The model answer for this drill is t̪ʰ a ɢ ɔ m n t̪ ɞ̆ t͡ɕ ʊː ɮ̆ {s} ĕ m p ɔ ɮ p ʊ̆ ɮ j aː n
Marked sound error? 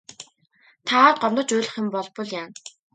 yes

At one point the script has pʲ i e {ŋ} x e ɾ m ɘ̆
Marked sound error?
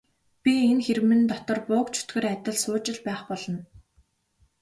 yes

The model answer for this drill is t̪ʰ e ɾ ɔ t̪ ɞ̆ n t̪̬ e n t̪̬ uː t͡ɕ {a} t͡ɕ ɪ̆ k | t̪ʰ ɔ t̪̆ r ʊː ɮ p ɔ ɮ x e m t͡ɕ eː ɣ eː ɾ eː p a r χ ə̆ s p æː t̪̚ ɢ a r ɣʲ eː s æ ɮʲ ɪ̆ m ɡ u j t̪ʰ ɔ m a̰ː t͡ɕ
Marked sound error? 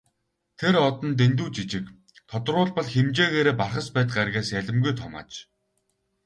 yes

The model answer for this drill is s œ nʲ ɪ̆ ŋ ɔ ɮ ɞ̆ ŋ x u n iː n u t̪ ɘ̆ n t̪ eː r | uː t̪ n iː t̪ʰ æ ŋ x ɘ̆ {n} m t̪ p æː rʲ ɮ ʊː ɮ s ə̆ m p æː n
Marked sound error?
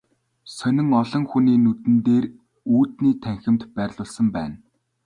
yes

